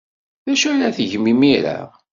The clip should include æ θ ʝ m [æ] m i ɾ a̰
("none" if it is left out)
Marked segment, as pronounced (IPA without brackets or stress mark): i